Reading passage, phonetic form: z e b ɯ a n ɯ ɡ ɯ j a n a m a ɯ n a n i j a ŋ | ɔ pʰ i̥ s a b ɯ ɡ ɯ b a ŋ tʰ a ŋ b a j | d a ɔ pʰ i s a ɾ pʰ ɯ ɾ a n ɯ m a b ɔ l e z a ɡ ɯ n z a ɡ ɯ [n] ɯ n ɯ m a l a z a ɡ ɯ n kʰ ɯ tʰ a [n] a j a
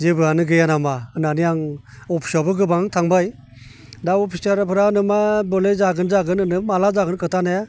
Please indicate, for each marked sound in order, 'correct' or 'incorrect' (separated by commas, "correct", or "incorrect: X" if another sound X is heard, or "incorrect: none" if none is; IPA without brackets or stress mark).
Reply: correct, correct